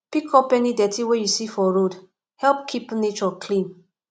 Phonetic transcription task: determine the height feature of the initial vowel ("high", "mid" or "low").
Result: high